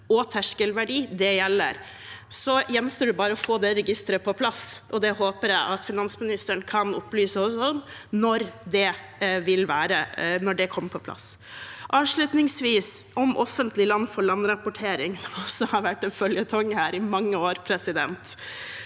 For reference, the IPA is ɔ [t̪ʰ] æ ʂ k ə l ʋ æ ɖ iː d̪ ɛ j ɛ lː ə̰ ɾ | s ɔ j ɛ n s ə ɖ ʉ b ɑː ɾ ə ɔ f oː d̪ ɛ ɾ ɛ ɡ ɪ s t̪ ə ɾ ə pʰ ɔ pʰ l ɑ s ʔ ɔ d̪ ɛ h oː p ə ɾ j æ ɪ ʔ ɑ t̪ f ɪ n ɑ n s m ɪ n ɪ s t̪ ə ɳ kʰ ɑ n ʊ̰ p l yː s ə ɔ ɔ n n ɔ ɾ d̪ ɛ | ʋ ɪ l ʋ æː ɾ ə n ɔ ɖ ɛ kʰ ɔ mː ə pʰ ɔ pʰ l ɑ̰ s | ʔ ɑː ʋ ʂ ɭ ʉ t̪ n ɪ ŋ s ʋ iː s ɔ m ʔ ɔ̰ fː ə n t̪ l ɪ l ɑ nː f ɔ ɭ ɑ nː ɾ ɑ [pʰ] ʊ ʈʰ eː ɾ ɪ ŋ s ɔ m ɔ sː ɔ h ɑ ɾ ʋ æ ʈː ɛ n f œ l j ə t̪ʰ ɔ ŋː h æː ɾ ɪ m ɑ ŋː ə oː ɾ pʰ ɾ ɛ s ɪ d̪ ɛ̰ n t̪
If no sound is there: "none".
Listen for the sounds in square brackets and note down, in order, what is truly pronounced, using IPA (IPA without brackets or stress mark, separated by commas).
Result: t̪ʰ, p